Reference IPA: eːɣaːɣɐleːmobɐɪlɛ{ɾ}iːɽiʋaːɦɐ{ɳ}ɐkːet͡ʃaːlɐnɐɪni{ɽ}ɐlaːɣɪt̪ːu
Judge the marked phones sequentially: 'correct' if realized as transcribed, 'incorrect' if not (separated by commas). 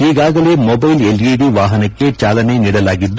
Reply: incorrect, incorrect, correct